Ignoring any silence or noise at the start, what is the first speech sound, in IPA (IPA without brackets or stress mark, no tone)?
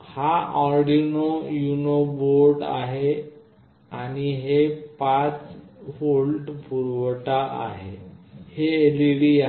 h